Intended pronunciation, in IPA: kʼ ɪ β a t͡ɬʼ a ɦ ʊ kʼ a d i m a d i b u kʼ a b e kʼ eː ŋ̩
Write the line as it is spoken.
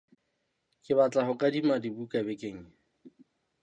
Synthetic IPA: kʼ ɪ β a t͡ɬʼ a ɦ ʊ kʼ a d i m a d i b u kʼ a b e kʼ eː ŋ̩